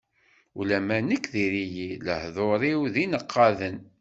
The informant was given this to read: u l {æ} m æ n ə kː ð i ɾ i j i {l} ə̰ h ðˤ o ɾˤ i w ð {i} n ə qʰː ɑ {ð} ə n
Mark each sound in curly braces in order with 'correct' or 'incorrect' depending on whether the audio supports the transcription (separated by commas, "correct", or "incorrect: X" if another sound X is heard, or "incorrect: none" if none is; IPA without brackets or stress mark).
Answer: correct, correct, correct, correct